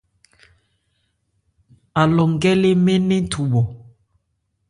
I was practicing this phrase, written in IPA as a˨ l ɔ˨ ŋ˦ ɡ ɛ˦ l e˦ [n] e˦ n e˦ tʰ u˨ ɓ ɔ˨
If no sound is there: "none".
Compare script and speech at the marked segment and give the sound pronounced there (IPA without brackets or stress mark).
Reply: m